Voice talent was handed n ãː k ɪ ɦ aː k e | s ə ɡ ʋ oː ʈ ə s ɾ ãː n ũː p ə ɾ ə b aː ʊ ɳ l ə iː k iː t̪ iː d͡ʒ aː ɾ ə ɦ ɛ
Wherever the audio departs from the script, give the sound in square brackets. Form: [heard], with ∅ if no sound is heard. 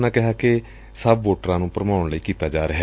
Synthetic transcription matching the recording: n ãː k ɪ ɦ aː k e | s ə [b] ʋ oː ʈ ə [∅] ɾ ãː n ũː p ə ɾ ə [m] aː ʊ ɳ l ə iː k iː t̪ [aː] d͡ʒ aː ɾ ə ɦ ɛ